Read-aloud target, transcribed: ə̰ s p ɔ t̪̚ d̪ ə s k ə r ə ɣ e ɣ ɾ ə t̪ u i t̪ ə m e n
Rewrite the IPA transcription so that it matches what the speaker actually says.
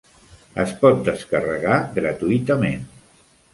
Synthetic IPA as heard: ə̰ s p ɔ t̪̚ d̪ ə s k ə r ə ɣ a ɣ ɾ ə t̪ u i t̪ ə m e n